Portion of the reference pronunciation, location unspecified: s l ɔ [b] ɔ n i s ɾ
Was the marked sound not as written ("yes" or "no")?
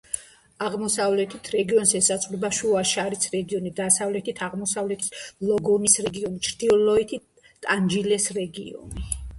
yes